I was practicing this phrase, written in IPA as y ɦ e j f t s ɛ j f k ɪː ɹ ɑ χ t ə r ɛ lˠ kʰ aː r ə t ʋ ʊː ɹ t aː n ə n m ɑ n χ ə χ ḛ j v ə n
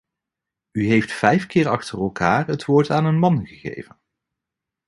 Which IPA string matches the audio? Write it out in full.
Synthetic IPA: y ɦ e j f t f ɛ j f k ɪː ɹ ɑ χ t ə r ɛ lˠ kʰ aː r ə t ʋ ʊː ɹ t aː n ə n m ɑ n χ ə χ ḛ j v ə n